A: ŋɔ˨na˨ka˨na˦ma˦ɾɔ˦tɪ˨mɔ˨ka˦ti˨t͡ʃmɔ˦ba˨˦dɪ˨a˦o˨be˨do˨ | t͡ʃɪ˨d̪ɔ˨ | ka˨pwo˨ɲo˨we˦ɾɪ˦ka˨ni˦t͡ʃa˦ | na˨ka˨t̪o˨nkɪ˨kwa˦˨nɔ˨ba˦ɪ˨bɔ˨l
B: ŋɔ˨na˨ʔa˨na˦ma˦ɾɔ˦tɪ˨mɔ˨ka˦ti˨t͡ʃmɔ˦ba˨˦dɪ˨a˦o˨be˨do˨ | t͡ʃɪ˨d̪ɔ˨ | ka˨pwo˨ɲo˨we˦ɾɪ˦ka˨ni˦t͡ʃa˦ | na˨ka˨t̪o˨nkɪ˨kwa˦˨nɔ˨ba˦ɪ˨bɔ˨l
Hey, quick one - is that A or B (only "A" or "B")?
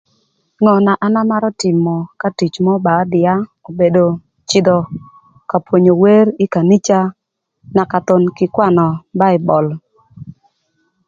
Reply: B